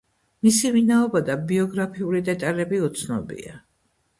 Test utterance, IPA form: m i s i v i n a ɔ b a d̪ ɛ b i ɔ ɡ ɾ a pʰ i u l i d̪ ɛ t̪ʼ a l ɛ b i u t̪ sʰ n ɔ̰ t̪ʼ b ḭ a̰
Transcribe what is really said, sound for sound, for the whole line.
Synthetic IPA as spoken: m i s i v i n a ɔ b a d̪ a b i ɔ ɡ ɾ a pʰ i u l i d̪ ɛ t̪ʼ a l ɛ b i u t̪ sʰ n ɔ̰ b ḭ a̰